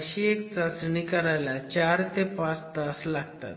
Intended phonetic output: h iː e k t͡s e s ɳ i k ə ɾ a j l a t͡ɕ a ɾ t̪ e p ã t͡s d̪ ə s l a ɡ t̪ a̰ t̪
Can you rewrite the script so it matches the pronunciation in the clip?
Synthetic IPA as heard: ɕ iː e k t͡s a s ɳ i k ə ɾ a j l a t͡ɕ a ɾ t̪ e p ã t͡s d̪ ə s l a ɡ t̪ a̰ t̪